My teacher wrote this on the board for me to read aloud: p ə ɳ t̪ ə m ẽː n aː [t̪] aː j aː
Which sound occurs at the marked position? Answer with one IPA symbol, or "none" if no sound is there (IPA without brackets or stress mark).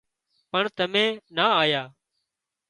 none